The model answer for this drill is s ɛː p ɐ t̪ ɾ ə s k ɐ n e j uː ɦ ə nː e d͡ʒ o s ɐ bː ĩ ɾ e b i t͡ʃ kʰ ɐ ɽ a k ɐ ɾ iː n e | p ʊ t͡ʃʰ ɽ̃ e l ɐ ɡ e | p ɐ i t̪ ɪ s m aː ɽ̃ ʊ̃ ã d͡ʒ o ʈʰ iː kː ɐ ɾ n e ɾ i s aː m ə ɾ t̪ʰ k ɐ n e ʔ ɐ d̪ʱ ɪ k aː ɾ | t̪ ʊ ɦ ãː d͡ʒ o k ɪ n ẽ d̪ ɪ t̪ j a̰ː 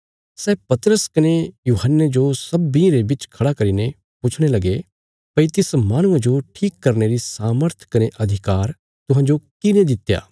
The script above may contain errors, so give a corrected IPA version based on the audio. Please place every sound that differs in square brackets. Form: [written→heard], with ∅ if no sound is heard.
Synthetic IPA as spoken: s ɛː p ɐ t̪ ɾ ə s k ɐ n e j uː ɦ ə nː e d͡ʒ o s ɐ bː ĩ ɾ e b [i→ɪ] t͡ʃ kʰ ɐ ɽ a k ɐ ɾ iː n e | p ʊ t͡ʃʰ ɽ̃ e l ɐ ɡ e | p ɐ i t̪ ɪ s m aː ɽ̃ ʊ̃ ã d͡ʒ o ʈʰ iː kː ɐ ɾ n e ɾ i s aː m ə ɾ t̪ʰ k ɐ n e ʔ ɐ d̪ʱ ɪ k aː ɾ | t̪ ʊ ɦ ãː d͡ʒ o k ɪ n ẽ d̪ ɪ t̪ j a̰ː